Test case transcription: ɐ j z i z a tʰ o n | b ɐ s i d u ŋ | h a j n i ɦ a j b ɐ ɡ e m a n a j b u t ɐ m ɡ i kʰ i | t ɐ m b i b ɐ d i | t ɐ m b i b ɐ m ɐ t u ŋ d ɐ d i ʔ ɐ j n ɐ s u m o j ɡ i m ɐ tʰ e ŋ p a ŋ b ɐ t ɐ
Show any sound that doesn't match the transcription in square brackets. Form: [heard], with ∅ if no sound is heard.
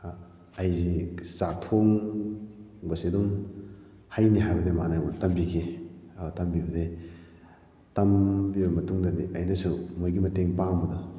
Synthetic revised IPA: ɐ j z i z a tʰ o [ŋ] | b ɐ s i d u ŋ | h a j n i ɦ a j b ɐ [d] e m a n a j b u t ɐ m [b] i kʰ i | t ɐ m b i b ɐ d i | t ɐ m b i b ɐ m ɐ t u ŋ d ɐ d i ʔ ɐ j n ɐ s u m o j ɡ i m ɐ [t] e ŋ p a ŋ b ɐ [d] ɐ